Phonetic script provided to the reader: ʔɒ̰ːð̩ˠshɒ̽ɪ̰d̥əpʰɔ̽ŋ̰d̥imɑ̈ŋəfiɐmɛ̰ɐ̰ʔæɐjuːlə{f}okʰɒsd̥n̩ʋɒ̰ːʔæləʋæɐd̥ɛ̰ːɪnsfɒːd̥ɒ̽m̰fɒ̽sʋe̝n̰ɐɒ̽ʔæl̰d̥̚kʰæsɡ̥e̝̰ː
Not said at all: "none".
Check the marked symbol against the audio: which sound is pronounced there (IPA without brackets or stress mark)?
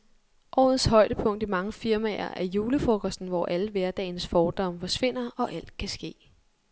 f